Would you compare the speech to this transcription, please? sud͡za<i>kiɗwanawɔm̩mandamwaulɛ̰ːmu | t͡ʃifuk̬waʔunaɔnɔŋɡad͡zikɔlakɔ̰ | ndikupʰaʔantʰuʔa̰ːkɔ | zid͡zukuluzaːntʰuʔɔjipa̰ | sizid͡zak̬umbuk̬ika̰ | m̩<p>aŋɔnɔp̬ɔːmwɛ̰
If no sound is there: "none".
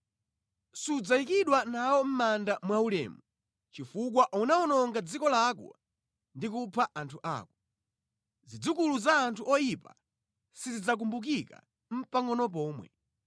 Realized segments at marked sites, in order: i, p

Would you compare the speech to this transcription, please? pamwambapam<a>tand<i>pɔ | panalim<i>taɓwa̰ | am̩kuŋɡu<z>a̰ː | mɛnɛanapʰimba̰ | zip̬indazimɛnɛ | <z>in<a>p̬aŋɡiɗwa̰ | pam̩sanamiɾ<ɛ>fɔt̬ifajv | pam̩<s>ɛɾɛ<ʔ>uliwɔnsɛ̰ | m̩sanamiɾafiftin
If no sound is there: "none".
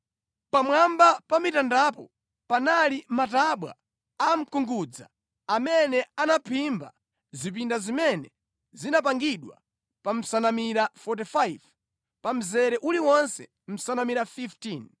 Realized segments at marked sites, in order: i, a, a, d͡z, z, a, a, z, ʔ

